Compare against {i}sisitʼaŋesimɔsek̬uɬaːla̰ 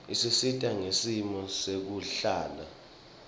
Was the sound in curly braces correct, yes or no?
yes